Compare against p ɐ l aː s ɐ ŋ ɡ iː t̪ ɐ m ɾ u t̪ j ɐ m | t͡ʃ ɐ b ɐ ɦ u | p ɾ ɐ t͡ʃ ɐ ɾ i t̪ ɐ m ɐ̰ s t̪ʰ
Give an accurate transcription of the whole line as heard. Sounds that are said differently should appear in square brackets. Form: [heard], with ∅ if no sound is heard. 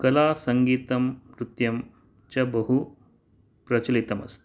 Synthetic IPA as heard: [k] ɐ l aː s ɐ ŋ ɡ iː t̪ ɐ m ɾ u t̪ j ɐ m | t͡ʃ ɐ b ɐ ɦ u | p ɾ ɐ t͡ʃ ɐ [l] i t̪ ɐ m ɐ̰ s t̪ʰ